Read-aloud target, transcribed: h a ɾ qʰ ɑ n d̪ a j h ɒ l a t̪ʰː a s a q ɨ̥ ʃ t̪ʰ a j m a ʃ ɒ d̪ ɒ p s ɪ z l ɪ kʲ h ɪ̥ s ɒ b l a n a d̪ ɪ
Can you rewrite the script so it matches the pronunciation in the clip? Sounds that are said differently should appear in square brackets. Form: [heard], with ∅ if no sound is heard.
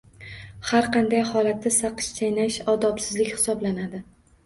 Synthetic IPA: h a ɾ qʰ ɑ n d̪ a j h ɒ l a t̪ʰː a s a q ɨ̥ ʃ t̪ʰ a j [n] a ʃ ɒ d̪ ɒ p s ɪ z l ɪ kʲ h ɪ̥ s ɒ b l a n a d̪ ɪ